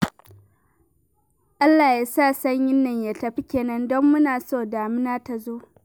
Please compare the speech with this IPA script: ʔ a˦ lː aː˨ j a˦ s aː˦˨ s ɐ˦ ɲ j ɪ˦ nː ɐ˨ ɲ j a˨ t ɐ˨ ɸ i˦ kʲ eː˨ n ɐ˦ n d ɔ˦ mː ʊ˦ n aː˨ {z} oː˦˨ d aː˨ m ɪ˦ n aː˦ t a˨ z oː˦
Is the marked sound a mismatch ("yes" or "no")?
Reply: yes